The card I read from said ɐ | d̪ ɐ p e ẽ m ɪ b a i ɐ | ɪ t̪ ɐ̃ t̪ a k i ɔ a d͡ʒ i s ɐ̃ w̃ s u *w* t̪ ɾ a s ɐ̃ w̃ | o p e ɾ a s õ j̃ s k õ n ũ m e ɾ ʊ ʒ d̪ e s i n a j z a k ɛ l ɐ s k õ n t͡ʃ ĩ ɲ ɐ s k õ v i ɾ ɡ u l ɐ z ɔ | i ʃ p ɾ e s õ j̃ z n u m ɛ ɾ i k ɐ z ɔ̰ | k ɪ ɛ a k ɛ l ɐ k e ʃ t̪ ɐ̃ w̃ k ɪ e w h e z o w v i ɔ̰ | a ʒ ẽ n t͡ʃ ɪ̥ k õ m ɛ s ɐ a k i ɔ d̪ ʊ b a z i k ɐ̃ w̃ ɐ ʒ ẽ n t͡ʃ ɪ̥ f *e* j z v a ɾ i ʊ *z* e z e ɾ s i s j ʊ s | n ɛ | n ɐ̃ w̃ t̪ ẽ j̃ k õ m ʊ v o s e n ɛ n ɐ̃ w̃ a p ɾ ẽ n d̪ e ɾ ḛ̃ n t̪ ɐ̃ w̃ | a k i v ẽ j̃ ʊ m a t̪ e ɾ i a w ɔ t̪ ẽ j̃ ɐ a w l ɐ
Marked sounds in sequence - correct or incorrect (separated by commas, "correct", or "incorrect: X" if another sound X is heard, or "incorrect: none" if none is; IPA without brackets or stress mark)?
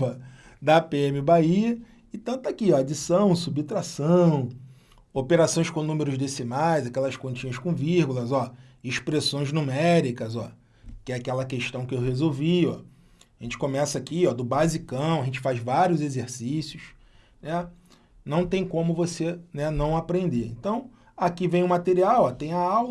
incorrect: b, incorrect: a, correct